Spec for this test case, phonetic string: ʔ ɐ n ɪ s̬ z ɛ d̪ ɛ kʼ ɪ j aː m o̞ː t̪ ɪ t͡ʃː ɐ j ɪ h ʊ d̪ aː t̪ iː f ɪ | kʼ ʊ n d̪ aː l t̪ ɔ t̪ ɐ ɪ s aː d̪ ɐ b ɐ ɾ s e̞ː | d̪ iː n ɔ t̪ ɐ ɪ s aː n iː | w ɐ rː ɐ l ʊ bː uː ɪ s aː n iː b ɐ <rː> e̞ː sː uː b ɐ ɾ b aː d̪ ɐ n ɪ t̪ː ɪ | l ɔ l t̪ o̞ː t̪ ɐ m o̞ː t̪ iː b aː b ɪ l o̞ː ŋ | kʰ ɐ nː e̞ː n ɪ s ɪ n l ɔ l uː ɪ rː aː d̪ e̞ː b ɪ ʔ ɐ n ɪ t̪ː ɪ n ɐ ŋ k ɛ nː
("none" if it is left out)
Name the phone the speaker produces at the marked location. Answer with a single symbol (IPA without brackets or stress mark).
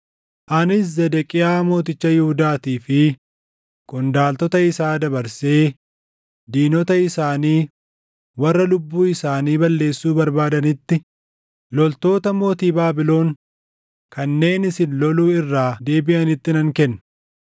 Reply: lː